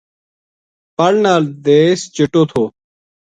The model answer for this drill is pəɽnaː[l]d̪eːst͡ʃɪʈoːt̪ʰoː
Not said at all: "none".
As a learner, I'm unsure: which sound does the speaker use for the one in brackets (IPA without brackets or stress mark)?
l